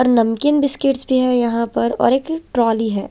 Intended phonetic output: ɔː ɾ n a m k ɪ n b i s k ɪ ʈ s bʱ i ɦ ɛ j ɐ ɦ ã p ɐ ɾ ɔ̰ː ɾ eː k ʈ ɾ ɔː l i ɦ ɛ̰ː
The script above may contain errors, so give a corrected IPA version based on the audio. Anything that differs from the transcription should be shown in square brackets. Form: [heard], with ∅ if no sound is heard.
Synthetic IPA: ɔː ɾ n [ɐ] m k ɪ n b [ɪ] s k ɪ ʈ s bʱ i ɦ ɛ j ɐ ɦ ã p ɐ ɾ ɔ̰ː ɾ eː k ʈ ɾ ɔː l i ɦ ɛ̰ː